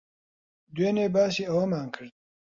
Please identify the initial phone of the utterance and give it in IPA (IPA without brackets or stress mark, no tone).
d̪